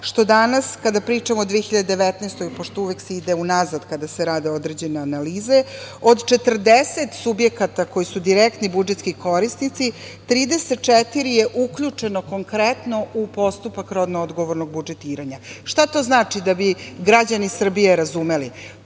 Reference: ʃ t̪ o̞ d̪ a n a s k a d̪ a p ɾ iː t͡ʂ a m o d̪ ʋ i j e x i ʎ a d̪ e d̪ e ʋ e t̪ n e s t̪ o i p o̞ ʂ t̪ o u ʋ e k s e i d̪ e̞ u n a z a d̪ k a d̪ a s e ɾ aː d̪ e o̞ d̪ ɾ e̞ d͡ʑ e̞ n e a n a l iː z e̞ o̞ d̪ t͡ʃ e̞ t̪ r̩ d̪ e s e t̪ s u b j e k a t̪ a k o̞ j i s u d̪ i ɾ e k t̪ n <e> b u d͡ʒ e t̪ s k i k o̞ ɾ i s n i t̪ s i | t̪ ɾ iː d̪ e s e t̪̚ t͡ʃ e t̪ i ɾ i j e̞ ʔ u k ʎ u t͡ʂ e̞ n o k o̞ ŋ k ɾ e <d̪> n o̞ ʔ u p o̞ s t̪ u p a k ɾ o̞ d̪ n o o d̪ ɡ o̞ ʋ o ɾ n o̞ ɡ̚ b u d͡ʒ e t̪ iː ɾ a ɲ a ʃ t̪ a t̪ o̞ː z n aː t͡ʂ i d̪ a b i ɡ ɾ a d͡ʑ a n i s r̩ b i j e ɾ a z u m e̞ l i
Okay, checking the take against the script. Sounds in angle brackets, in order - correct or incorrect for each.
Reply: incorrect, incorrect

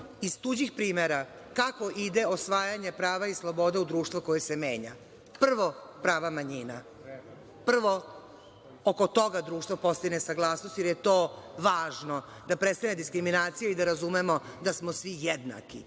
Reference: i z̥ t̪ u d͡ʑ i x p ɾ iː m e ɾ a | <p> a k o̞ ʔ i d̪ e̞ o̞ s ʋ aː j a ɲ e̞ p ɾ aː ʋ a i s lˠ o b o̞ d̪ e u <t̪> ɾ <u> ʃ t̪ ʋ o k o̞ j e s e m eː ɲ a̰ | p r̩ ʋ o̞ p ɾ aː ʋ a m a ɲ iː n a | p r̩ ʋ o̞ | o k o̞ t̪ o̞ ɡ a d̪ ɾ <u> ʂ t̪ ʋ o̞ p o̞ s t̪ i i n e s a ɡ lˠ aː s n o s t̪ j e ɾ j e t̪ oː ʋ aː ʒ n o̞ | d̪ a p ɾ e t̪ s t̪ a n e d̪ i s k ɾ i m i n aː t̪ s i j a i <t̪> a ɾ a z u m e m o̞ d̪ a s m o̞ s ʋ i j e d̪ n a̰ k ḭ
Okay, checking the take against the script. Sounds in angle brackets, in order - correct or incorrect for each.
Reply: incorrect, incorrect, incorrect, incorrect, incorrect

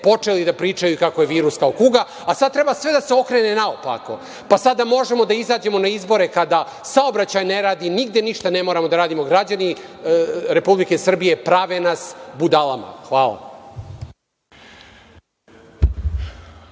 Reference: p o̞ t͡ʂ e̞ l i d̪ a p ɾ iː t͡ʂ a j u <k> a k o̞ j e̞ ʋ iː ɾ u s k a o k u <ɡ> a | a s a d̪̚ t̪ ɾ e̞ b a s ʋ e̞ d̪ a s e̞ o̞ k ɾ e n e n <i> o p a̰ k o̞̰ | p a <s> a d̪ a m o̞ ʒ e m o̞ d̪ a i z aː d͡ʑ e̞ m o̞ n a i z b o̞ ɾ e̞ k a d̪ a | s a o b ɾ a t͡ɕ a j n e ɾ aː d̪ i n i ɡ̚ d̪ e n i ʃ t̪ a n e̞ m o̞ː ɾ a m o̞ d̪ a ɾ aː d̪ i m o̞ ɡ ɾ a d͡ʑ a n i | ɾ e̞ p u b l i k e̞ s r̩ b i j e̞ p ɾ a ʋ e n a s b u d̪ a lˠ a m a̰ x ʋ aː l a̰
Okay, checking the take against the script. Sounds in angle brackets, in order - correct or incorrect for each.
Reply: correct, correct, incorrect, correct

